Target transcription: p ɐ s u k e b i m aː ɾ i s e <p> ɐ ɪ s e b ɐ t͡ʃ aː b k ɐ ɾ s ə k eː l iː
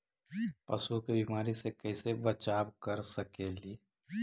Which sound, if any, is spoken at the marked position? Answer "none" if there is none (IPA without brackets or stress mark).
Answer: k